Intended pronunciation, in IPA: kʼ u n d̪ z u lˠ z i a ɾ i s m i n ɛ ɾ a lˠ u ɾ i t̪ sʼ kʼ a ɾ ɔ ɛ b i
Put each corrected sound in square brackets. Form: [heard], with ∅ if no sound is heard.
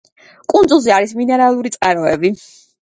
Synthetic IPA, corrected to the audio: kʼ u n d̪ z u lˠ z i a ɾ i s m i n ɛ ɾ a lˠ u ɾ i t̪ sʼ [qʼ] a ɾ ɔ ɛ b i